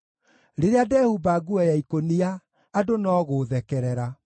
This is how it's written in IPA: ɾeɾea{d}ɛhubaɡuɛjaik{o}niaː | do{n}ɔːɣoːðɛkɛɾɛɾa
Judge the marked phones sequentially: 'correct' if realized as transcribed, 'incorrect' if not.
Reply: correct, correct, correct

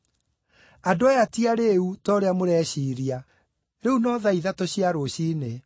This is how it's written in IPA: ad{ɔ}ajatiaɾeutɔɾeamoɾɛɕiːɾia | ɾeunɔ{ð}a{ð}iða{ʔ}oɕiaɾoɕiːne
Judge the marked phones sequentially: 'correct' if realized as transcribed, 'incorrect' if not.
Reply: incorrect: o, correct, incorrect: none, incorrect: t

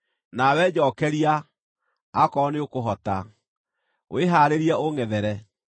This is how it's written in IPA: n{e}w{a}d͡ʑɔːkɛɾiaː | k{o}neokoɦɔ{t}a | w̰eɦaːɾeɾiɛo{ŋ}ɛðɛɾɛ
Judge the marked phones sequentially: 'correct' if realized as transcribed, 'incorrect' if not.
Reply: incorrect: a, incorrect: ɛ, incorrect: ɔ, correct, correct

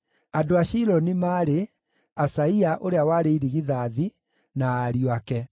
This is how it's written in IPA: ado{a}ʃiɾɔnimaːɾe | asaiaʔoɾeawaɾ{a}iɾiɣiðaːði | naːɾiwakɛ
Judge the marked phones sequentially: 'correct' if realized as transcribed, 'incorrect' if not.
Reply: correct, incorrect: e

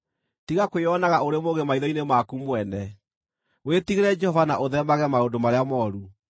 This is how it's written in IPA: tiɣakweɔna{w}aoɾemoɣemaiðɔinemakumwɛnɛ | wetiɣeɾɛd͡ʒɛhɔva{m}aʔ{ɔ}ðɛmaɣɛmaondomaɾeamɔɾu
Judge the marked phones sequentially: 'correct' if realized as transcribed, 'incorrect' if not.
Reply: incorrect: ɣ, incorrect: n, incorrect: o

